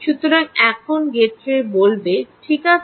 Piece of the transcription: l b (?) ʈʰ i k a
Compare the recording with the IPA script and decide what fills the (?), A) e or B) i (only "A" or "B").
A